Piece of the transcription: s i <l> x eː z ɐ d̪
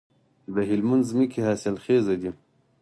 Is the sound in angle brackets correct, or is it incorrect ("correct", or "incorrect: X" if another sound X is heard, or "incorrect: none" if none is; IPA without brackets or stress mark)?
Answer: correct